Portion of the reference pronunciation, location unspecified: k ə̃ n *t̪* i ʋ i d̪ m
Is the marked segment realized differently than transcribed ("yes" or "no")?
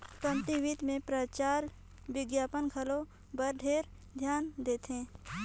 no